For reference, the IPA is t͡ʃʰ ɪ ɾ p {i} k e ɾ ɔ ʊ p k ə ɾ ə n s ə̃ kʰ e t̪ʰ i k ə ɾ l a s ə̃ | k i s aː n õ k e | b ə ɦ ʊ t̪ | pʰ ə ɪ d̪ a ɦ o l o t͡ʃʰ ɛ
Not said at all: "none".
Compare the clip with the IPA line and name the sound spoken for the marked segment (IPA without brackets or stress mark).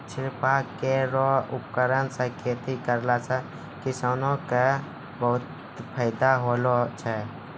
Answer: a